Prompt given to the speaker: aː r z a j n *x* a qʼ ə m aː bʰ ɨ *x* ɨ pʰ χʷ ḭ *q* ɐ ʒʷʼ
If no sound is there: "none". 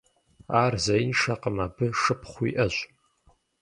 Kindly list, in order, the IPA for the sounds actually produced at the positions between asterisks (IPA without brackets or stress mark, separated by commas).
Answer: ʂ, ʂ, ʔ